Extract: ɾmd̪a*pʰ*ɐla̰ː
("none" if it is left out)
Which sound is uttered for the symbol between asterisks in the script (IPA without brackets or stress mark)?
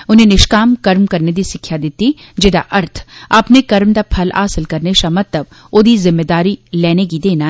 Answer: pʰ